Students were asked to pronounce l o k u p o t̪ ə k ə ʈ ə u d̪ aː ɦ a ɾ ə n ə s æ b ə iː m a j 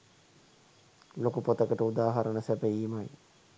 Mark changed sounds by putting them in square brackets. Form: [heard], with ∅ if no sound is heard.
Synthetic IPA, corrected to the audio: l o k u p o t̪ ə k ə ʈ ə u d̪ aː ɦ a ɾ ə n ə s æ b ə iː m a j